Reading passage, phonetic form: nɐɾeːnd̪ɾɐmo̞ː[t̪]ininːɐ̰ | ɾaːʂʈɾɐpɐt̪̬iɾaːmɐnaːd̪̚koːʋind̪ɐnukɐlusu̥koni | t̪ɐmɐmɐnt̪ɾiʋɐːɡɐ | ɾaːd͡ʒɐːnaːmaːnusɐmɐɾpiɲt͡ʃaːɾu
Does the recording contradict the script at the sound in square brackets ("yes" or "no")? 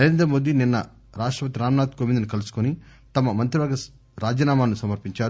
yes